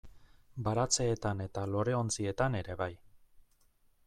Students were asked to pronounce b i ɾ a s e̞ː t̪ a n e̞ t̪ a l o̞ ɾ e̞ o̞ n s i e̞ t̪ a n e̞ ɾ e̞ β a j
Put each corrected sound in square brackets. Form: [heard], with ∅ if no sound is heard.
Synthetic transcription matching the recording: b [a] ɾ a [t͡s] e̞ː t̪ a n e̞ t̪ a l o̞ ɾ e̞ o̞ n [t͡s] i e̞ t̪ a n e̞ ɾ e̞ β a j